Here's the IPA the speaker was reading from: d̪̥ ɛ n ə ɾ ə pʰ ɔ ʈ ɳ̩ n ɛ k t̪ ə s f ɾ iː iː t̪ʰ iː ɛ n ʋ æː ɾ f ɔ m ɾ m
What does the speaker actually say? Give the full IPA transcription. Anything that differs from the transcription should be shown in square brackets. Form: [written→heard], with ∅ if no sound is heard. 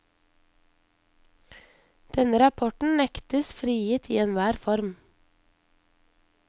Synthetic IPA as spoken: d̪̥ ɛ n ə ɾ [ə→ɑ] pʰ ɔ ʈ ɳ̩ n ɛ k t̪ ə s f ɾ iː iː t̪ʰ iː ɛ n ʋ æː ɾ f ɔ [m→∅] ɾ m